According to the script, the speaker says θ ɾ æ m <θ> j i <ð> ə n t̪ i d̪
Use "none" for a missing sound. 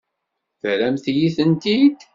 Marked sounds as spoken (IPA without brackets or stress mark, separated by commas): θ, θ